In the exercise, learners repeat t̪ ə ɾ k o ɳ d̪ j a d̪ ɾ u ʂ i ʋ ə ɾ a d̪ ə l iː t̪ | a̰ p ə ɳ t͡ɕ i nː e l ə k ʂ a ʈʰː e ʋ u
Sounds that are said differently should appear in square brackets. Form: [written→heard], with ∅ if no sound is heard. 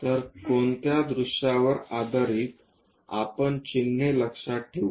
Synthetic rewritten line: t̪ ə ɾ k o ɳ [d̪→t̪] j a d̪ ɾ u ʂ [i→a] ʋ ə ɾ a d̪ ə [l→ɾ] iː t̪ | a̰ p ə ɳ t͡ɕ i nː e l ə k ʂ a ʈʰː e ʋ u